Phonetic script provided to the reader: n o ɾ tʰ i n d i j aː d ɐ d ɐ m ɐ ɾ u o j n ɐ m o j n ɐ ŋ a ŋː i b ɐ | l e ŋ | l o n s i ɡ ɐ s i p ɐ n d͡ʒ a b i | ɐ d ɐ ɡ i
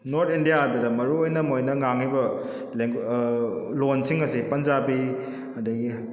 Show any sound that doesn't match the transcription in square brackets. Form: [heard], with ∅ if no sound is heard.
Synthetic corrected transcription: n o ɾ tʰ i n d i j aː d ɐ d ɐ m ɐ ɾ u o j n ɐ m o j n ɐ ŋ a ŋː i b ɐ | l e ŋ | l o n s i [ŋ] ɐ s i p ɐ n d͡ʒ a b i | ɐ d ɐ ɡ i